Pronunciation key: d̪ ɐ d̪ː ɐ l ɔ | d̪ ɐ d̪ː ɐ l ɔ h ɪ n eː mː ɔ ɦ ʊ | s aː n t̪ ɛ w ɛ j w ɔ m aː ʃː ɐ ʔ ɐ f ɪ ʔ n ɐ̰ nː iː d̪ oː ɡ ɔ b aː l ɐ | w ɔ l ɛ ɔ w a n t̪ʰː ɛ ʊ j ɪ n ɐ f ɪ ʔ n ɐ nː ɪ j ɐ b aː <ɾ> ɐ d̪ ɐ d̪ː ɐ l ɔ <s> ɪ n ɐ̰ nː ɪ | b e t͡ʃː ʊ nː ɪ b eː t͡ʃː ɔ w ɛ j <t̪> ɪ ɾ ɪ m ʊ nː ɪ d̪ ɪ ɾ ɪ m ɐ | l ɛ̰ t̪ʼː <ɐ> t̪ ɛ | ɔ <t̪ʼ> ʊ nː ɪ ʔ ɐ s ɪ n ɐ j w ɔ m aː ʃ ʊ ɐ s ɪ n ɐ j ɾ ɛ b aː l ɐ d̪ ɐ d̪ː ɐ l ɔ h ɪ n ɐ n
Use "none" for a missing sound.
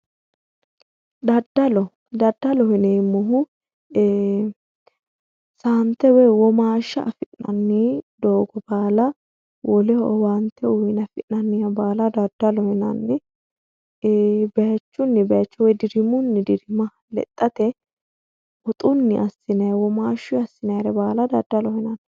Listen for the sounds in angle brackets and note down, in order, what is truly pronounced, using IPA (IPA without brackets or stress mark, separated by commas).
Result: l, h, d̪, ɐ, t̪ʼ